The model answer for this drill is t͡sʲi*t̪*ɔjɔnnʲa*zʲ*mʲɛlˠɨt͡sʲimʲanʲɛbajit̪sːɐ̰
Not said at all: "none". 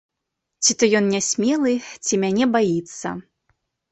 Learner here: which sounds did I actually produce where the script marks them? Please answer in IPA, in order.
t̪, sʲ

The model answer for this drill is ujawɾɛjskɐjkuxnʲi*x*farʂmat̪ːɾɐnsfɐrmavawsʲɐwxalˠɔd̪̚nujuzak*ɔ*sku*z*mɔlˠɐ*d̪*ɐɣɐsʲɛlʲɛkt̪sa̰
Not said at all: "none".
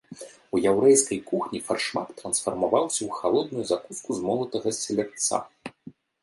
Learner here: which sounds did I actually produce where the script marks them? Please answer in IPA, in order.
none, u, z, t̪

